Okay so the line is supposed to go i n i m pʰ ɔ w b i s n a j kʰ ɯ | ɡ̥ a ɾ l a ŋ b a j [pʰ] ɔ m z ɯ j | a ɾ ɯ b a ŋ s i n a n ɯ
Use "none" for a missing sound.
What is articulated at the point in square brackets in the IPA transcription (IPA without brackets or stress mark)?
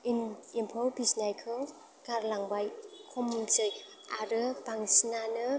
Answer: kʰ